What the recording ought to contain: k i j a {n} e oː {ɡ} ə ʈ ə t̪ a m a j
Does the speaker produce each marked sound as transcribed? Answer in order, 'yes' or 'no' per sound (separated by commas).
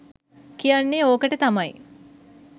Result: no, no